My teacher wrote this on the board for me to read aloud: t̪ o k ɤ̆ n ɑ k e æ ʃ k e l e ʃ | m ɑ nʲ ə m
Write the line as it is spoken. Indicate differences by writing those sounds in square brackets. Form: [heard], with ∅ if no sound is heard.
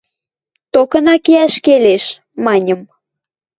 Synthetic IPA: t̪ o k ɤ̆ n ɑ k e æ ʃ k e l e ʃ | m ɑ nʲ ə m